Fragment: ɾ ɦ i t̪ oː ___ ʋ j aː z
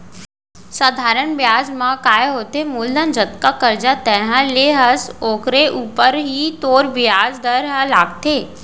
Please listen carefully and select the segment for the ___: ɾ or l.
ɾ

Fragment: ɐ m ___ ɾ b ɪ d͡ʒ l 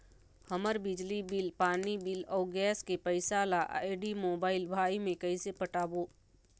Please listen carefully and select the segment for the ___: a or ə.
ə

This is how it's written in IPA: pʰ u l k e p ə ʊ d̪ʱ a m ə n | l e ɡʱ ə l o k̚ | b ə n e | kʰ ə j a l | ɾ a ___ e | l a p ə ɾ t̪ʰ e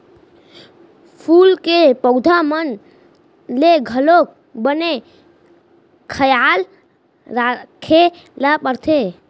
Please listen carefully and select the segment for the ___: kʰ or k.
kʰ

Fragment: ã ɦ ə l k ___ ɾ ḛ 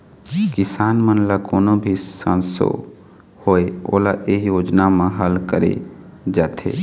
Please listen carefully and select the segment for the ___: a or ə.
ə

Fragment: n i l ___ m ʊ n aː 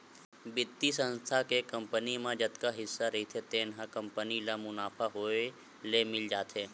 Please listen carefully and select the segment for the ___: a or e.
a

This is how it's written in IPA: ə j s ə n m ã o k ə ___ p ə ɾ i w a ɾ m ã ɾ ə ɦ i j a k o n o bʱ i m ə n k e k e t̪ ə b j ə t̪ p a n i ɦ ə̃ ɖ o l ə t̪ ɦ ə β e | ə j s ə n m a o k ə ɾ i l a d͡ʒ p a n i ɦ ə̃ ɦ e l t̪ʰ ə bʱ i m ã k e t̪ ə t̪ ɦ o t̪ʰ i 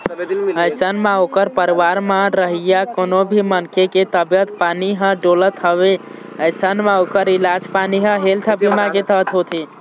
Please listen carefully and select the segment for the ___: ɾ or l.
ɾ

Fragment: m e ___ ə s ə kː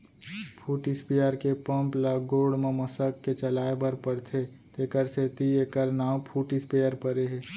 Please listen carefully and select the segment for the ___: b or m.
m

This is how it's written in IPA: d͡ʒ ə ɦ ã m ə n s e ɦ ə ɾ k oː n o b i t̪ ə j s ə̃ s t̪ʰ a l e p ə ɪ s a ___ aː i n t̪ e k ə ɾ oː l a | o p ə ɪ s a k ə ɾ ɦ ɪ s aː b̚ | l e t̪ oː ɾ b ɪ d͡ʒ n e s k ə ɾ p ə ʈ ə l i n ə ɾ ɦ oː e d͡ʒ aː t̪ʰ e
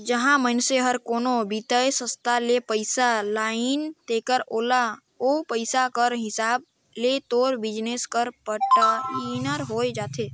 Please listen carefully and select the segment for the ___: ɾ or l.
l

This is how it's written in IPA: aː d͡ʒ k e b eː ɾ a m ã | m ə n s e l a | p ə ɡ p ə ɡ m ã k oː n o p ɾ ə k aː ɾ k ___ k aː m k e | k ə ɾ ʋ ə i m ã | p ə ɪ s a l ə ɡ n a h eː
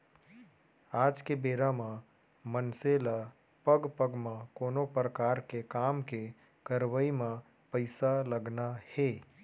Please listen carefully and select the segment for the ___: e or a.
e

